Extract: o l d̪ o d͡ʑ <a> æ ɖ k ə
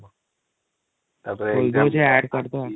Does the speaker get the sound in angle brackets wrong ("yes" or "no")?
yes